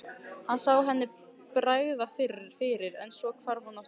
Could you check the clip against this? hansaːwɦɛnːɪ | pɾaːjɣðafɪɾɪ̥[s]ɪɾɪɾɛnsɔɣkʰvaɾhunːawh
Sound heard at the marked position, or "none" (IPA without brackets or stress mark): f